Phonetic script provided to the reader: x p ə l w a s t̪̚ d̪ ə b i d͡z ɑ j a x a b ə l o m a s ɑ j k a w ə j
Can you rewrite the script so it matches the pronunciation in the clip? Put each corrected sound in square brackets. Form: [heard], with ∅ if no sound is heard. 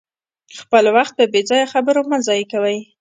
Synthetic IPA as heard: x p ə l w a [x] t̪̚ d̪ ə b [e] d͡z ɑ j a x a b ə [ɾ] o m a [z] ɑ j k a w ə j